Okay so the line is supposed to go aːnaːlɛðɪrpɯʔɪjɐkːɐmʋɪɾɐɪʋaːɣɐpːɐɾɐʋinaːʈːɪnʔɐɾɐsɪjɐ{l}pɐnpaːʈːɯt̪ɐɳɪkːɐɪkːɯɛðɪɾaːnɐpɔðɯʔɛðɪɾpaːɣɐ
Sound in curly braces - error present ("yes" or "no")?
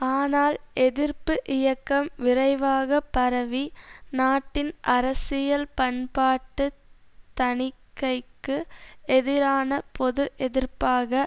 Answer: no